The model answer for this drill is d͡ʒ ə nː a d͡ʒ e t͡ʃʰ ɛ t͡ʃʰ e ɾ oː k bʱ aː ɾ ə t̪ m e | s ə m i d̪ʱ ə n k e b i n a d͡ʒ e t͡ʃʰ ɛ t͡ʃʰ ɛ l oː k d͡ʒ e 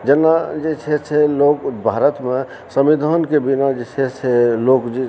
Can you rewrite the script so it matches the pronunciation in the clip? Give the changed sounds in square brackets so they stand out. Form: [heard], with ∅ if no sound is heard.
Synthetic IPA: d͡ʒ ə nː a d͡ʒ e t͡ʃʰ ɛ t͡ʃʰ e [l] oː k bʱ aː ɾ ə t̪ m e | s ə m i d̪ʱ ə n k e b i n a d͡ʒ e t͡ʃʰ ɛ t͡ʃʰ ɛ l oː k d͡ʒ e